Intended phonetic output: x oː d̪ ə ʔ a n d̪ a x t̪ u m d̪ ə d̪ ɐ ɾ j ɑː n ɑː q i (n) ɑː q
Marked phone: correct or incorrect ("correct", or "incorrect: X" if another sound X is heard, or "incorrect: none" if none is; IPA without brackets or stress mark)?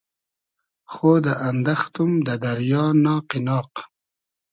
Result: correct